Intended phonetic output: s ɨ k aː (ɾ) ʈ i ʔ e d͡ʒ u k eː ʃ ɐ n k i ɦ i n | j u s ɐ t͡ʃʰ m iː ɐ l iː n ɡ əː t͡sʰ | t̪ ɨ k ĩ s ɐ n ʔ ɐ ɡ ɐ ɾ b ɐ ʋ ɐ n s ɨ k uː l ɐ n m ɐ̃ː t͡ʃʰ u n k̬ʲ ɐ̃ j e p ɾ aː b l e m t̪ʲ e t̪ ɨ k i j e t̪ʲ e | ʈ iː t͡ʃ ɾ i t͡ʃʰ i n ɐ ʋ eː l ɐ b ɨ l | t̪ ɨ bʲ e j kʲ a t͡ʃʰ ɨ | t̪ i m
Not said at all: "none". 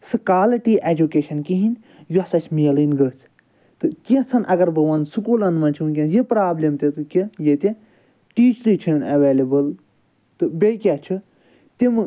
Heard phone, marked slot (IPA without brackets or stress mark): l